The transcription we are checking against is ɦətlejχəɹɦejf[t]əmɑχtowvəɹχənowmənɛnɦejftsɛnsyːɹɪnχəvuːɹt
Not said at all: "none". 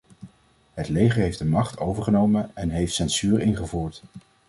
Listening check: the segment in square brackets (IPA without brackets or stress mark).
d